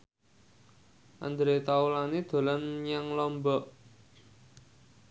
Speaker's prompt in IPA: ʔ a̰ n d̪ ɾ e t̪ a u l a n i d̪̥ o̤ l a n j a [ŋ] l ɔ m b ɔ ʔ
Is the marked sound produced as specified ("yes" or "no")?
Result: yes